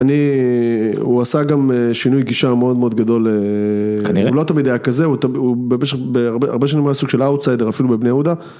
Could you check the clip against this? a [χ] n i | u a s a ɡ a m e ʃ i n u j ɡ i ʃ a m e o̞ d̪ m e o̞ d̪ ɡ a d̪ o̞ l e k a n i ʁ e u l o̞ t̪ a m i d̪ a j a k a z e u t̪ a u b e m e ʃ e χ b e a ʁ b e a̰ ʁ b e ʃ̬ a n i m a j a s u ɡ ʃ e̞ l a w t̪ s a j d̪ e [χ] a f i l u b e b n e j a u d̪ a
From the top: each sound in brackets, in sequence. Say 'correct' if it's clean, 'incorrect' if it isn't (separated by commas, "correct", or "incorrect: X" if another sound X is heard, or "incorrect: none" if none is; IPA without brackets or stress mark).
incorrect: none, incorrect: ʁ